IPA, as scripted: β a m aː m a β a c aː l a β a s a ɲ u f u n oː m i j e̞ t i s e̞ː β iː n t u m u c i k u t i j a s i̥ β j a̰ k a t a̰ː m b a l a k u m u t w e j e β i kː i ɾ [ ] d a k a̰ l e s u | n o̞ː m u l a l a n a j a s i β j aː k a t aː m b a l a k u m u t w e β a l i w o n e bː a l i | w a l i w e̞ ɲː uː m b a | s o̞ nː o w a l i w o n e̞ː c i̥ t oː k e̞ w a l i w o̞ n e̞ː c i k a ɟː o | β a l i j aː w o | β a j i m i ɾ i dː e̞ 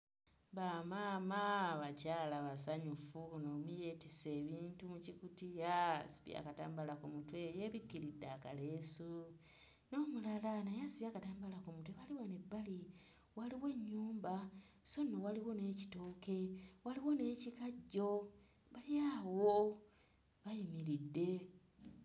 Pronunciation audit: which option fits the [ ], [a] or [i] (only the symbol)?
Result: i